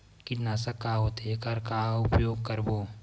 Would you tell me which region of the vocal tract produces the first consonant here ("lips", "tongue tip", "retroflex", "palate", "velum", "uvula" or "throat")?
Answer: velum